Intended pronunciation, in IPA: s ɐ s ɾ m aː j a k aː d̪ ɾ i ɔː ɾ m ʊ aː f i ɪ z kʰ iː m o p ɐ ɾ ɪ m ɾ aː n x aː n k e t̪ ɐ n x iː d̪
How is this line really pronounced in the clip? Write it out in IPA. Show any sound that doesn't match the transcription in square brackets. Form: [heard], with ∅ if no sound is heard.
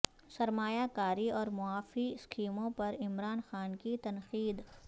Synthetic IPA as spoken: s ɐ [∅] ɾ m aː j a k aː [∅] ɾ i ɔː ɾ m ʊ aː f i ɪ [s] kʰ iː m [õ] p ɐ ɾ ɪ m ɾ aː n x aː n k [i] t̪ ɐ n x iː d̪